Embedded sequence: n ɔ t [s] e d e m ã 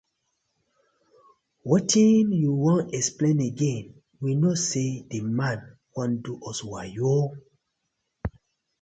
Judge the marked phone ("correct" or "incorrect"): correct